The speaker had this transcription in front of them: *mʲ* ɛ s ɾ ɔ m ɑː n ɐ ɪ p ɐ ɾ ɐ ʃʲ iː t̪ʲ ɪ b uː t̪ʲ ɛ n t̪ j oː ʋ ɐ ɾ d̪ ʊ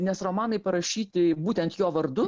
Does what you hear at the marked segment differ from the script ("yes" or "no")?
yes